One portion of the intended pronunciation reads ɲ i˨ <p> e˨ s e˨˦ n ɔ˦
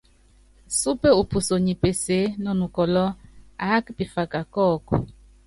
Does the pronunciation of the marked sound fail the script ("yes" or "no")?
no